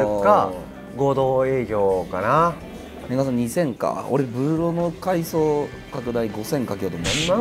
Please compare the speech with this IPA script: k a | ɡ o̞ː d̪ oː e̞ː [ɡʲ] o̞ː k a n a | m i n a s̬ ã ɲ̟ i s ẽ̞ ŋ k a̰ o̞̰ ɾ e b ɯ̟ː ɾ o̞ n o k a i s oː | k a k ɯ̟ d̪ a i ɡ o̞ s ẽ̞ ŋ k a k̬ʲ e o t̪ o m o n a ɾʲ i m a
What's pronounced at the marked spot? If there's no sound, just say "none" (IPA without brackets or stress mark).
ɡʲ